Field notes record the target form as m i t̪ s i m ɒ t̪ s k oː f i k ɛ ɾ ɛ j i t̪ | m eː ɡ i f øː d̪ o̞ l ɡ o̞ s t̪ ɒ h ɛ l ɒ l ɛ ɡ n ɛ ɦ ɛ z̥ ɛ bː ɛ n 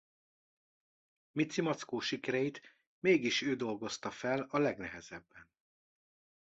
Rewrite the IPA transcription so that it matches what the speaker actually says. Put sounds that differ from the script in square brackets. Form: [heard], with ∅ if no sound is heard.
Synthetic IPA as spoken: m i t̪ s i m ɒ t̪ s k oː [ʃ] i k ɛ ɾ ɛ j i t̪ | m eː ɡ i [ʃ] øː d̪ o̞ l ɡ o̞ s t̪ ɒ [f] ɛ l ɒ l ɛ ɡ n ɛ ɦ ɛ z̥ ɛ bː ɛ n